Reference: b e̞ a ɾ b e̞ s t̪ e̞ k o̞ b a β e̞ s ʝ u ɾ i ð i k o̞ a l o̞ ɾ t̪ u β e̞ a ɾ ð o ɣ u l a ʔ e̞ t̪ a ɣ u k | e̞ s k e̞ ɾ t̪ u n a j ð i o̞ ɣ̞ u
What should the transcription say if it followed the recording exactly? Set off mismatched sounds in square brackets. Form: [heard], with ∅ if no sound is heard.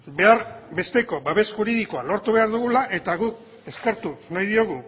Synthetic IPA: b e̞ a ɾ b e̞ s t̪ e̞ k o̞ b a β e̞ s ʝ u ɾ i ð i k o̞ a l o̞ ɾ t̪ u β e̞ a ɾ ð [u] ɣ u l a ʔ e̞ t̪ a ɣ u k | e̞ s k e̞ ɾ t̪ u n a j ð i o̞ ɣ̞ u

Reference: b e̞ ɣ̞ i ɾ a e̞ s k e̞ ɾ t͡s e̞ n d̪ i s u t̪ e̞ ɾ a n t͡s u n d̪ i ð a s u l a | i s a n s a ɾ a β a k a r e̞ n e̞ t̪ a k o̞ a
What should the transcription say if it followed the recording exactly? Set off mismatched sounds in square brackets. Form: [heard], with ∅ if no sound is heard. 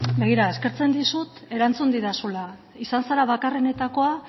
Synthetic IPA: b e̞ ɣ̞ i ɾ a e̞ s k e̞ ɾ t͡s e̞ n d̪ i s u t̪ e̞ ɾ a n t͡s u n d̪ i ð a s u l a | i s a n s a ɾ a β a k a r e̞ n e̞ t̪ a k o̞ a

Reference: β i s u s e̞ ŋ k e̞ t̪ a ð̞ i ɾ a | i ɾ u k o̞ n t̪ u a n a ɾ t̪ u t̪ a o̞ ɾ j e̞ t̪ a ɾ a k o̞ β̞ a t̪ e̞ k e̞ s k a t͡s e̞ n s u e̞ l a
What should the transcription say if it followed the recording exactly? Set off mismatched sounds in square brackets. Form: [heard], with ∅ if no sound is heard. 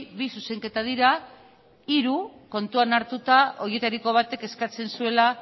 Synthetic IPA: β i s u s e̞ ŋ k e̞ t̪ a ð̞ i ɾ a | i ɾ u k o̞ n t̪ u a n a ɾ t̪ u t̪ a o̞ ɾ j e̞ t̪ a ɾ [i] k o̞ β̞ a t̪ e̞ k e̞ s k a t͡s e̞ n s u e̞ l a

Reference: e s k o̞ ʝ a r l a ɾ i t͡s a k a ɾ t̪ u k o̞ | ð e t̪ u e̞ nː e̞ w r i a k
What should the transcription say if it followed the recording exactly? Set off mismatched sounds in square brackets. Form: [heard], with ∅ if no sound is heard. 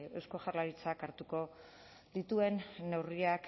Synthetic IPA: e s k o̞ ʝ a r l a ɾ i t͡s a k a ɾ t̪ u k o̞ | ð [i] t̪ u e̞ nː e̞ w r i a k

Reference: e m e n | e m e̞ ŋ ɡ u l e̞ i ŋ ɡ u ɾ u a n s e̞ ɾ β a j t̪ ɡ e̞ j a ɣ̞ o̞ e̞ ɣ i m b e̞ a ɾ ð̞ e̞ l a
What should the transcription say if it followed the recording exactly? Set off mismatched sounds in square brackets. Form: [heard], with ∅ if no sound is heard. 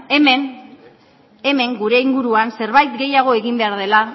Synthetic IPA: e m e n | e m e̞ ŋ ɡ u [ɾ] e̞ i ŋ ɡ u ɾ u a n s e̞ ɾ β a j t̪ ɡ e̞ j a ɣ̞ o̞ e̞ ɣ i m b e̞ a ɾ ð̞ e̞ l a

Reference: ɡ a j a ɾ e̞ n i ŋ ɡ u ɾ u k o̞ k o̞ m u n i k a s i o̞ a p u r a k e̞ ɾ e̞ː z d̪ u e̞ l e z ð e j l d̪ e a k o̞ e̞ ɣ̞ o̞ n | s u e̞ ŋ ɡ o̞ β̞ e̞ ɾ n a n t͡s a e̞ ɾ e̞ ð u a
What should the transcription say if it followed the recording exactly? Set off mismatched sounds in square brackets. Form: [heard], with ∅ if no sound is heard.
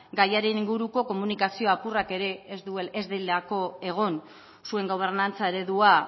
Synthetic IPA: ɡ a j a ɾ e̞ n i ŋ ɡ u ɾ u k o̞ k o̞ m u n i k a s i o̞ a p u r a k e̞ ɾ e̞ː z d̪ u e̞ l e z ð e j l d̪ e a k o̞ e̞ ɣ̞ o̞ n | s u e̞ ŋ ɡ o̞ β̞ e̞ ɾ n a n t͡s a e̞ ɾ e̞ ð u a

